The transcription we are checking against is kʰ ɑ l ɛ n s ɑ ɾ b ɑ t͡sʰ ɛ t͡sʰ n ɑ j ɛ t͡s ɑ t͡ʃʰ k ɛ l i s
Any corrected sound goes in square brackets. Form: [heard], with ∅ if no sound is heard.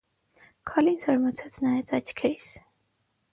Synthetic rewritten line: kʰ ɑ l [i] n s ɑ ɾ [m] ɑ t͡sʰ ɛ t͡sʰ n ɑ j ɛ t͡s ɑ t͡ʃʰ [kʰ] ɛ [ɾ] i s